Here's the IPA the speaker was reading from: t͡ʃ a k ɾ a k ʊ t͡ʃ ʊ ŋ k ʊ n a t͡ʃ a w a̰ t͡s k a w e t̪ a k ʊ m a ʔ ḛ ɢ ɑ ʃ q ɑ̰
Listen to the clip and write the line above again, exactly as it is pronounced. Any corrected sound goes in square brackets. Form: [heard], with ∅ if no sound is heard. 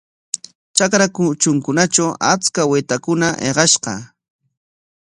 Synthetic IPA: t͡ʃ a k ɾ a k ʊ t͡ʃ ʊ ŋ k ʊ n a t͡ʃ a w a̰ t͡s k a w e t̪ a k ʊ [n] a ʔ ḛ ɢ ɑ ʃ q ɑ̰

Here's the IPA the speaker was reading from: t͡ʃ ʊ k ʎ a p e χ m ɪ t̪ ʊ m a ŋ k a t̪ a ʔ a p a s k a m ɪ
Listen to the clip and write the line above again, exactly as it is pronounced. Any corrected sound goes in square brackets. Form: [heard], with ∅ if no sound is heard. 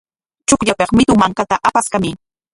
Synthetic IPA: t͡ʃ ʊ k ʎ a p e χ m ɪ t̪ ʊ m a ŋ k a t̪ a ʔ a p a s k a m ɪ

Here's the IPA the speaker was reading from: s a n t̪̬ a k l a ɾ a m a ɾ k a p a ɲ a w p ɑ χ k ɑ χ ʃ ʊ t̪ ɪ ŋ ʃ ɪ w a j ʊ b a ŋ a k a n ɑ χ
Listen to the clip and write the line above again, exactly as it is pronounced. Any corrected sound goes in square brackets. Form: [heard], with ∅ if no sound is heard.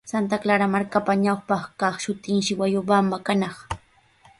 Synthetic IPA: s a n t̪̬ a k l a ɾ a m a ɾ k a p a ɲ a w p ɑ χ k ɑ χ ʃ ʊ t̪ ɪ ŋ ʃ ɪ w a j ʊ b a [m] a k a n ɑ χ

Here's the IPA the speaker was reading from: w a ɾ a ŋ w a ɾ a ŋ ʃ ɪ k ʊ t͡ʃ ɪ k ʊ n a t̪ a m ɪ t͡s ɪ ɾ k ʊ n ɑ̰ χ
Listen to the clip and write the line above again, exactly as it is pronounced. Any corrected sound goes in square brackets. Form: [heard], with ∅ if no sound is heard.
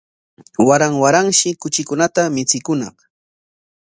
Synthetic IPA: w a ɾ a ŋ w a ɾ a ŋ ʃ ɪ k ʊ t͡ʃ ɪ k ʊ n a t̪ a m ɪ t͡s ɪ [∅] k ʊ n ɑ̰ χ

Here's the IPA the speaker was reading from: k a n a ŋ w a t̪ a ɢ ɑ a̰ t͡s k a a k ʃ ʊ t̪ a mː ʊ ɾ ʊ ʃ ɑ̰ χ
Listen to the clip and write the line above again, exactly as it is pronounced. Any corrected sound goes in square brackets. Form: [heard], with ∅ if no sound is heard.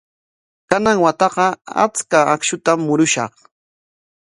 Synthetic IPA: k a n a ŋ w a t̪ [ɑ] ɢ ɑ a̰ t͡s k a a k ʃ ʊ t̪ a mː ʊ ɾ ʊ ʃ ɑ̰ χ

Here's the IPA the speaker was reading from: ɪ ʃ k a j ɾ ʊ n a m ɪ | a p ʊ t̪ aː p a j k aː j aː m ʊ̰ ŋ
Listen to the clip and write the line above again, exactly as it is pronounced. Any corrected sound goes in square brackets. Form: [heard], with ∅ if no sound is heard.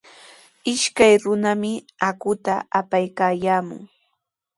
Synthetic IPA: ɪ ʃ k a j ɾ ʊ n a m ɪ | a [k] ʊ t̪ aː p a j k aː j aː m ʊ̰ ŋ

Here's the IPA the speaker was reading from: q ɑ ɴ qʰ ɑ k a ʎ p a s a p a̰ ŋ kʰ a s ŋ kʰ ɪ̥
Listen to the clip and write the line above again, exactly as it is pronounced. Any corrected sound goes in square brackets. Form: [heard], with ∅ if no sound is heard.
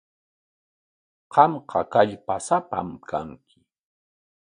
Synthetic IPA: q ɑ [m] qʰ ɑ k a ʎ p a s a p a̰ [m] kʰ a [∅] ŋ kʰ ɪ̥

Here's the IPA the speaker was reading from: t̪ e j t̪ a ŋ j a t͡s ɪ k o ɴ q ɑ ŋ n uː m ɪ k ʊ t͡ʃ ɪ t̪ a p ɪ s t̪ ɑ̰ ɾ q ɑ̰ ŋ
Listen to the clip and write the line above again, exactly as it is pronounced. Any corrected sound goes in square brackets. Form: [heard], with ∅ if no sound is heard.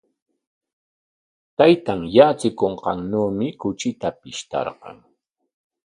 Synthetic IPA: t̪ [a] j t̪ a ŋ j a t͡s ɪ k o ɴ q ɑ ŋ n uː m ɪ k ʊ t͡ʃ ɪ t̪ a p ɪ [ʃ] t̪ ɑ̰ ɾ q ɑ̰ ŋ

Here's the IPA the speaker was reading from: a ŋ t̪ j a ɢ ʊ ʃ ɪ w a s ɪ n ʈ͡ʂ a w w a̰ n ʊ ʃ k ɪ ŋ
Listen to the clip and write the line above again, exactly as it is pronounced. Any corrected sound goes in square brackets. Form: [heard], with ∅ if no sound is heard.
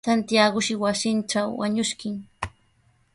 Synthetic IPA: a [n] t̪ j a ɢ ʊ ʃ ɪ w a s ɪ n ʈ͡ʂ a w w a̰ [ɲ] ʊ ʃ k ɪ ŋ

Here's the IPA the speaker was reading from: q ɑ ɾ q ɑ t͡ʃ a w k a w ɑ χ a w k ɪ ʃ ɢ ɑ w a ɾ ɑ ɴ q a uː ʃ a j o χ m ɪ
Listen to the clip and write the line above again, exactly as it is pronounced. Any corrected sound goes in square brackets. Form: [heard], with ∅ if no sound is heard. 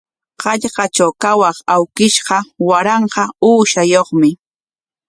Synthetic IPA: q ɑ [ʎ] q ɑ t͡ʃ a w k a w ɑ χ a w k ɪ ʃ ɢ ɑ w a ɾ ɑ ɴ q [ɑ] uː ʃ a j o χ m ɪ

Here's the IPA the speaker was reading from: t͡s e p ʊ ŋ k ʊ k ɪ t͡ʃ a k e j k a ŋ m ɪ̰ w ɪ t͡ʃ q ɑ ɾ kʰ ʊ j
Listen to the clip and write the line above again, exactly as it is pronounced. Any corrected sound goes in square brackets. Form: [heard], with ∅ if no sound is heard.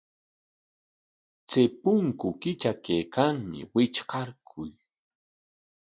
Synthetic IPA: t͡s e p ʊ ŋ k ʊ k ɪ t͡ʃ a k e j k a ŋ m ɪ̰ w ɪ t͡ʃ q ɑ ɾ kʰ ʊ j

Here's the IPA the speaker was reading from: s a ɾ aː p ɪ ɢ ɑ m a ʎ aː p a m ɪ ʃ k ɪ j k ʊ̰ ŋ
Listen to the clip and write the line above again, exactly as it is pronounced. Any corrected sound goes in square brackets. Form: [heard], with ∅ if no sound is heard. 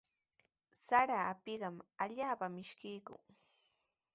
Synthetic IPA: s a ɾ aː p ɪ ɢ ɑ m a ʎ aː p a m ɪ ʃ k ɪ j k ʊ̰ ŋ

